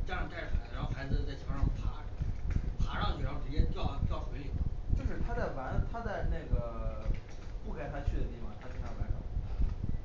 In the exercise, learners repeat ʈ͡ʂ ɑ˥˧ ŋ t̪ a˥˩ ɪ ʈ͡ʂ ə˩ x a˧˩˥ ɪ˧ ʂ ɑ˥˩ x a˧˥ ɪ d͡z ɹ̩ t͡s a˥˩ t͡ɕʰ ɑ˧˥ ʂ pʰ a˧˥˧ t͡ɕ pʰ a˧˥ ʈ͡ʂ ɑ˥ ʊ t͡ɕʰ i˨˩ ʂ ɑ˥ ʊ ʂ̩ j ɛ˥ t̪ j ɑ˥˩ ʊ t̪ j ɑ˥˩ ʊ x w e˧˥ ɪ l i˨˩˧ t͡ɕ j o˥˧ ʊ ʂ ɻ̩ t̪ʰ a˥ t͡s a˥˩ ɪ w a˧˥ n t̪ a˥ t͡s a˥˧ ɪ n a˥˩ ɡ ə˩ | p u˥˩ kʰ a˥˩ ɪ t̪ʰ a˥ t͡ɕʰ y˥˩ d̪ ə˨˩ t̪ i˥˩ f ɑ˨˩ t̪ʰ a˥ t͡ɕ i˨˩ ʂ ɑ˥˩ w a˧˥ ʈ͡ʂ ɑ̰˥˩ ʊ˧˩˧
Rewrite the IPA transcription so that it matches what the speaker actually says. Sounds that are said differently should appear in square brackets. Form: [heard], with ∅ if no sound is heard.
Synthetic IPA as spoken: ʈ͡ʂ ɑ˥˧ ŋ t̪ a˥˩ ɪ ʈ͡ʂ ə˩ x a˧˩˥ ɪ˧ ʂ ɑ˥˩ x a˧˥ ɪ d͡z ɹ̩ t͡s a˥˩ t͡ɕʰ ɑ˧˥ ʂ pʰ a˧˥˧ [∅] pʰ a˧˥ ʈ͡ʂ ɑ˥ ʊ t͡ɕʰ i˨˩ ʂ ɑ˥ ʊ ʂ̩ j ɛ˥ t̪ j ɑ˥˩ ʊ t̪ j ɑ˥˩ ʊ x w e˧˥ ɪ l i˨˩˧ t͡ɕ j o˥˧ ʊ ʂ ɻ̩ t̪ʰ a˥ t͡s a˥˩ ɪ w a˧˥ n [t̪ʰ] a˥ t͡s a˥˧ ɪ n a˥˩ ɡ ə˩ | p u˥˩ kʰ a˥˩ ɪ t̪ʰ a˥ t͡ɕʰ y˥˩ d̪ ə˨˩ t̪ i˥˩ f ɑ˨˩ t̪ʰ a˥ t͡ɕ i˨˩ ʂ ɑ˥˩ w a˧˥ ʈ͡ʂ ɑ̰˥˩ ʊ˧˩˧